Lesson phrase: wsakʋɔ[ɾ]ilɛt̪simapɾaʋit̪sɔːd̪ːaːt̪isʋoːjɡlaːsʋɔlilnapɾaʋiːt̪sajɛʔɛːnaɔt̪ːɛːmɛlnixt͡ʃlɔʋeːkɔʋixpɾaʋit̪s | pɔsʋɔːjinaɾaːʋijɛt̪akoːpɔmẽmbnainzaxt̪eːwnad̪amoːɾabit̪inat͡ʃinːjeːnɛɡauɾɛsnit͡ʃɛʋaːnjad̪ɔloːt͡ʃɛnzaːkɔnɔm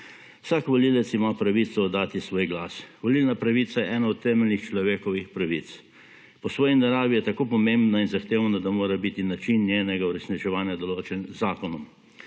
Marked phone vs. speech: incorrect: l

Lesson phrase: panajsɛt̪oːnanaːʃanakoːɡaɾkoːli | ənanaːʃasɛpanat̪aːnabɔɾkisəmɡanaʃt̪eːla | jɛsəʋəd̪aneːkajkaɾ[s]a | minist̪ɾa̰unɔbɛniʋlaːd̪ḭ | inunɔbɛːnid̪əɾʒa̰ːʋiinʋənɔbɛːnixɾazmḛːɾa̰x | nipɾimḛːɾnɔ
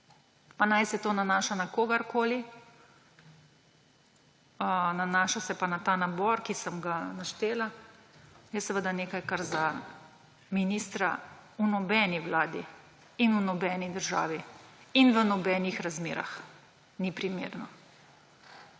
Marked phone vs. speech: incorrect: z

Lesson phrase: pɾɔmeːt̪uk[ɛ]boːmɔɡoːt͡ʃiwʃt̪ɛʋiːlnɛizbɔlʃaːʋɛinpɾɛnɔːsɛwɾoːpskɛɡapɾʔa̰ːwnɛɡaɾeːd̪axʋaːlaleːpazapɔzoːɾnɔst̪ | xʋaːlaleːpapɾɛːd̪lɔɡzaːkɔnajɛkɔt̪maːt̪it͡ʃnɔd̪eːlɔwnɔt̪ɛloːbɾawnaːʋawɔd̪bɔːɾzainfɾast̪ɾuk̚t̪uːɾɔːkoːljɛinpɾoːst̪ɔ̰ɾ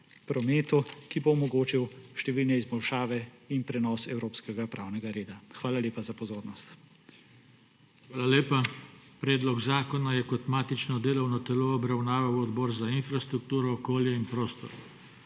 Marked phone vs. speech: incorrect: i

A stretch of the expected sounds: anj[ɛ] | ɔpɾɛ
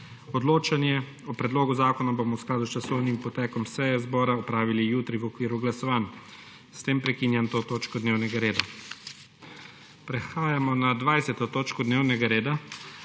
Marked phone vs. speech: correct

